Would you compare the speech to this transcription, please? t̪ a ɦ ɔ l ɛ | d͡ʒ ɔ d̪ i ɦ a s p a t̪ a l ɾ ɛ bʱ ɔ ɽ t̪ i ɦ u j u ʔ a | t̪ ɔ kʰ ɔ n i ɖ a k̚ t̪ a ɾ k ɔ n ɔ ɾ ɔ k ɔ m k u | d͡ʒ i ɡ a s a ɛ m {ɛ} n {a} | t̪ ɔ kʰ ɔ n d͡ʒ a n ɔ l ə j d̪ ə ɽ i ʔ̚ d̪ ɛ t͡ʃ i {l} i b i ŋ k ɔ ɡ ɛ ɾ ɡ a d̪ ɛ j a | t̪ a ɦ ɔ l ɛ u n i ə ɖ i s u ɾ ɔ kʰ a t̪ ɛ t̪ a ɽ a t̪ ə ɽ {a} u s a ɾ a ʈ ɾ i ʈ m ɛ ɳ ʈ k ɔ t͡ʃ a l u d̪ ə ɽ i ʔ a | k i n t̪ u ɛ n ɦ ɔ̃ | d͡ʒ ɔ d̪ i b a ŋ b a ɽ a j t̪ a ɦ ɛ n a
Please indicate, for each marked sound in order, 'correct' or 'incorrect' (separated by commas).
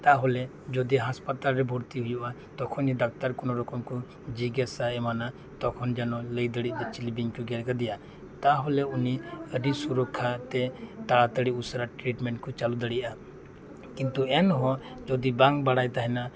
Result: incorrect, correct, correct, incorrect